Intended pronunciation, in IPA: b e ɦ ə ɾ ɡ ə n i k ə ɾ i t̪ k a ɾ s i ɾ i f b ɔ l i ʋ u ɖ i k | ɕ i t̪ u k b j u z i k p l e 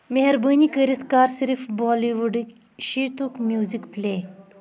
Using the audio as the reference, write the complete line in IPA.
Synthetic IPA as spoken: m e ɦ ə ɾ b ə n i k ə ɾ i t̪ k a ɾ s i ɾ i f b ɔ l i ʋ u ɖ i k | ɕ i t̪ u k m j u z i k p l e